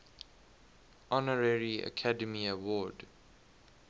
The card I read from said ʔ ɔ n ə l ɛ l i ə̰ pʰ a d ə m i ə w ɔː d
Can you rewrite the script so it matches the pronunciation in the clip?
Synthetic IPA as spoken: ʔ ɔ n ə ɹ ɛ ɹ i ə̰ kʰ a d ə m i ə w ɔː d